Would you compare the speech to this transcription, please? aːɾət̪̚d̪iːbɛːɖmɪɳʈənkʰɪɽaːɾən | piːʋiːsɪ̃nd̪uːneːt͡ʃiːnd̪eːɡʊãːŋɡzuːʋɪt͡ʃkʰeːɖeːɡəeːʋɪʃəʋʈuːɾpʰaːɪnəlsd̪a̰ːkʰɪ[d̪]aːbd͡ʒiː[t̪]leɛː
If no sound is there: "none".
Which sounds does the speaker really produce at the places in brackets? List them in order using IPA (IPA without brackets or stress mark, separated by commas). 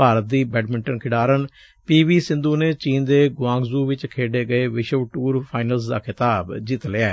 t̪, t̪